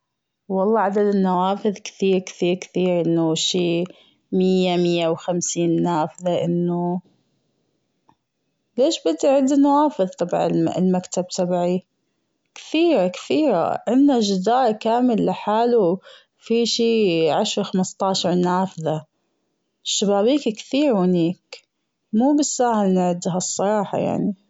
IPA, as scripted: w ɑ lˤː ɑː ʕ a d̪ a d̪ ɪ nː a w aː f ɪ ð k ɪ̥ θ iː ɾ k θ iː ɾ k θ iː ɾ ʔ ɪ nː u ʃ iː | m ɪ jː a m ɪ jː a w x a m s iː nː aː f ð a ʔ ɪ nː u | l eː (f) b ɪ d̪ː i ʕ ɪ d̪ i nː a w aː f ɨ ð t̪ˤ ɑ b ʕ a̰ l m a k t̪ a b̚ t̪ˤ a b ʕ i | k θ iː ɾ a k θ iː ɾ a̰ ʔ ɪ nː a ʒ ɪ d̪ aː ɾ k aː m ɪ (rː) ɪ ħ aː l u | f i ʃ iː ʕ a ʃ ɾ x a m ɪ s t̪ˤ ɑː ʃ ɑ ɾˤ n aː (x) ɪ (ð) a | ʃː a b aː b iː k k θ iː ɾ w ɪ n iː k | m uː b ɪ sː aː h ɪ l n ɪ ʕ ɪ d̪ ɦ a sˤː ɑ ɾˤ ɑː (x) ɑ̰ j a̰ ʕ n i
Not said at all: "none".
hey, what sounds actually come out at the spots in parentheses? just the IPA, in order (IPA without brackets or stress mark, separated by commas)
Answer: ʃ, lː, f, ð, ħ